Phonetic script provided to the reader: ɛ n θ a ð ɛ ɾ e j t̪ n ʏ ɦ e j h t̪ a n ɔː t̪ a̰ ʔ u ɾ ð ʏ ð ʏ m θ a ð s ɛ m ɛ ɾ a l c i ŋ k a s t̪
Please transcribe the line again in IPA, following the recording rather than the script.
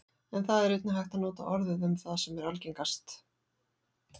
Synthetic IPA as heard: ɛ n θ a ð ɛ ɾ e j t̪ n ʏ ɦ a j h t̪ a n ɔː t̪ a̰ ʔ ɔ ɾ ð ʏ ð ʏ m θ a ð s ɛ m ɛ ɾ a l c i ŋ k a s t̪